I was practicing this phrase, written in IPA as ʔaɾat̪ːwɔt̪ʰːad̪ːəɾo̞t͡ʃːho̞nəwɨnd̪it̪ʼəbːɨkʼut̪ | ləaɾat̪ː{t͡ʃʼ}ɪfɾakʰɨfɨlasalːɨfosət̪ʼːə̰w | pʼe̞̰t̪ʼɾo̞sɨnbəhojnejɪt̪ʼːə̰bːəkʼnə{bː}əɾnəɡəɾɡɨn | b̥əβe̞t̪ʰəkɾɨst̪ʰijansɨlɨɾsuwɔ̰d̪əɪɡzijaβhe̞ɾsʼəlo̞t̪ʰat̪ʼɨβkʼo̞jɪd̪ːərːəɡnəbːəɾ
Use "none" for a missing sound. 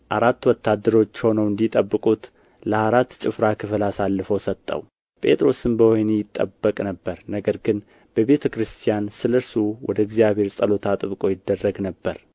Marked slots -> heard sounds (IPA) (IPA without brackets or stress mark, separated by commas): t͡ʃʼ, bː